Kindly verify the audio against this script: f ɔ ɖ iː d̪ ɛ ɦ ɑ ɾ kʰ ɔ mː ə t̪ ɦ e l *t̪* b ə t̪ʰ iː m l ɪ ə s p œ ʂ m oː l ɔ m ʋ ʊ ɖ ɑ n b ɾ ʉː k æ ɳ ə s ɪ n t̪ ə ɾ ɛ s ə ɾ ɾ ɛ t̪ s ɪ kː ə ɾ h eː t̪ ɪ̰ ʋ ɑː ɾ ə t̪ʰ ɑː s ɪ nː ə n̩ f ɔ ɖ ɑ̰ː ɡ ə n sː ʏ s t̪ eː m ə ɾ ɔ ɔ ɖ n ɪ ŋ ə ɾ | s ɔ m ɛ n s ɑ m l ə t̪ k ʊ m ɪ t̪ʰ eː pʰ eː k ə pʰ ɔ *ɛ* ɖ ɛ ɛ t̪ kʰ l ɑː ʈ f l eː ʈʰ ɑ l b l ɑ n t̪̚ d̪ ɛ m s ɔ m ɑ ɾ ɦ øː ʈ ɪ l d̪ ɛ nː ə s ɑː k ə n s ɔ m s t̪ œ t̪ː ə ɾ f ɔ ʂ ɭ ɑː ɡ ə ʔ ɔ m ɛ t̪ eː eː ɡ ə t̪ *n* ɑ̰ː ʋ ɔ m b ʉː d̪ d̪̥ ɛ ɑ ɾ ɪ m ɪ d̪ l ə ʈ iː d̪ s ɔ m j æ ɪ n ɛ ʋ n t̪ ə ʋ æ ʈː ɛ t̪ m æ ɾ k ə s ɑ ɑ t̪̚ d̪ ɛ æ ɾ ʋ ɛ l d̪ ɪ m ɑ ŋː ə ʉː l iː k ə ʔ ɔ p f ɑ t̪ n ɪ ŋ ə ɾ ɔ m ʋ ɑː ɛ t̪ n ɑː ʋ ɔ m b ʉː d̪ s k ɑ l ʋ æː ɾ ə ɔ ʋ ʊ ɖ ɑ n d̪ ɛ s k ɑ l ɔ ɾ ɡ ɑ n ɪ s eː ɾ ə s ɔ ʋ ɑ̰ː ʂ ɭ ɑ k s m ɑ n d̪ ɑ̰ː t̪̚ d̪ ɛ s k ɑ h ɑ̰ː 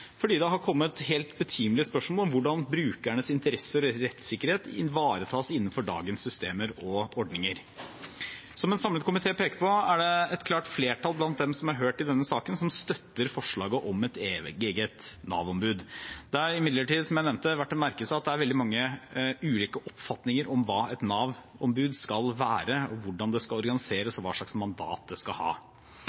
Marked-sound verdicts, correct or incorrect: correct, incorrect, correct

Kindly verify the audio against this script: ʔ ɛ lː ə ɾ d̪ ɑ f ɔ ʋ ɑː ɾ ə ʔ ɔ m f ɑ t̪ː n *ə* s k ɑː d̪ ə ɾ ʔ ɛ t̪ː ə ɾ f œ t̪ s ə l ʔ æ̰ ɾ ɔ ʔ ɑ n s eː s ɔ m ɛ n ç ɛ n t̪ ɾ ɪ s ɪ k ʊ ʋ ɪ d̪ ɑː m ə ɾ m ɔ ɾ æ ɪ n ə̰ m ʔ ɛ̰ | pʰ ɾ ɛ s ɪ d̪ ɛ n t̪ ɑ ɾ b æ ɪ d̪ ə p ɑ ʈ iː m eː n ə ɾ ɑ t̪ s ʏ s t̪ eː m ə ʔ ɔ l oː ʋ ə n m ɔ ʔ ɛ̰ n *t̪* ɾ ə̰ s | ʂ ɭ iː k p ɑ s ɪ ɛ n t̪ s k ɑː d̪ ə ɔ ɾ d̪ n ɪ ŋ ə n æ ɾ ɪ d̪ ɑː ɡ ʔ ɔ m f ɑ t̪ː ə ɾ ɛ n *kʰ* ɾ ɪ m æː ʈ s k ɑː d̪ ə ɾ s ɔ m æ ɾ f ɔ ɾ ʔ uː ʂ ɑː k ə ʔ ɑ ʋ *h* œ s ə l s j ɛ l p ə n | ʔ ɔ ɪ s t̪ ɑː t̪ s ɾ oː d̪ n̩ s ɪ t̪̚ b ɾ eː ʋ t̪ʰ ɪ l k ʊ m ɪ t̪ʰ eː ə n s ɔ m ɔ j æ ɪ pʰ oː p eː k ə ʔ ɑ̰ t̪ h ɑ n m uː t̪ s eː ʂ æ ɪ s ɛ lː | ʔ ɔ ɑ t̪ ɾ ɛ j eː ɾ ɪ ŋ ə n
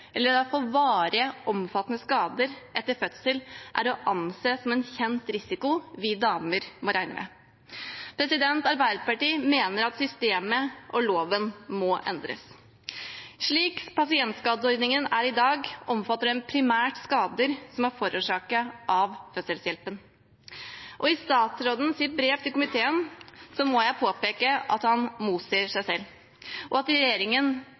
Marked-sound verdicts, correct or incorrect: correct, incorrect, incorrect, incorrect

